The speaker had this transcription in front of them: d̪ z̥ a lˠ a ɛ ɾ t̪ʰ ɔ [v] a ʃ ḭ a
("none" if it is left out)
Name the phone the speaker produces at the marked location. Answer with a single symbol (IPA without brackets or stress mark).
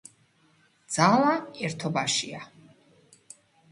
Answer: b